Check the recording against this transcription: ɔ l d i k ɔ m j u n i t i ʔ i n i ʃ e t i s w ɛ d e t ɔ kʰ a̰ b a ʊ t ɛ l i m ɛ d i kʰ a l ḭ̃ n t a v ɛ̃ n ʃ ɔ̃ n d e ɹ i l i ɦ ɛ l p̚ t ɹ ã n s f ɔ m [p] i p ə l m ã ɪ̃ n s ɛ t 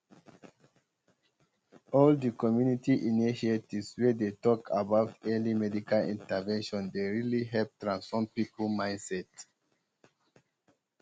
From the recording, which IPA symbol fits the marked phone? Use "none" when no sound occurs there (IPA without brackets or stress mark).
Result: p